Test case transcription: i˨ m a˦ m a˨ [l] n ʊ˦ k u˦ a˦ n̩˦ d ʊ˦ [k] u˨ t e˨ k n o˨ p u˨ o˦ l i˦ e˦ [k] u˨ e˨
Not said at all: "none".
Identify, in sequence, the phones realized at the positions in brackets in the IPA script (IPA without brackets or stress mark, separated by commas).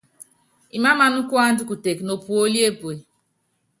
none, k, p